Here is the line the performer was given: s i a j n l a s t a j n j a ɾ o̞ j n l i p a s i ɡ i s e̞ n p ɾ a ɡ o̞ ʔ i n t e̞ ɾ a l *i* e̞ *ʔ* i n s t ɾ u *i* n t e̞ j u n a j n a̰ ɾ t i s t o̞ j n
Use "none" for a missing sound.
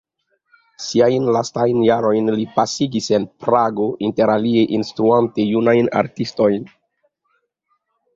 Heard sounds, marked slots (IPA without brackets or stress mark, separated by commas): i, ʔ, a